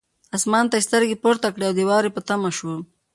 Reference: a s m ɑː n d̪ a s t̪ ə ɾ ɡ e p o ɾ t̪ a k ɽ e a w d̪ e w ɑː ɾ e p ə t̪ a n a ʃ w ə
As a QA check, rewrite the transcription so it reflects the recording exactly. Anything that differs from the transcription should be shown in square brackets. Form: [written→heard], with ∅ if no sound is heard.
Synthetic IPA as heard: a s m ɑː n [d̪→t̪] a s t̪ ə ɾ ɡ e p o ɾ t̪ a k ɽ e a w d̪ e w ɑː ɾ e p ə t̪ a [n→m] a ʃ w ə